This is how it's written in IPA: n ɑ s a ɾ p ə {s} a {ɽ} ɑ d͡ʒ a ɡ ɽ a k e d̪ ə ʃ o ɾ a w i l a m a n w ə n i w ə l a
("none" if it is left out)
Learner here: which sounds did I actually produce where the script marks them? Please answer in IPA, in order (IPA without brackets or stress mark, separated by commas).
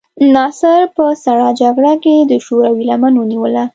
s, ɽ